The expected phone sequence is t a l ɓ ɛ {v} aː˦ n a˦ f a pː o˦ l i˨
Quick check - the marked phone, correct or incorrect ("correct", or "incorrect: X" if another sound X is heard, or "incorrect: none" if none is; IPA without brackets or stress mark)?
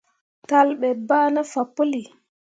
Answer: incorrect: b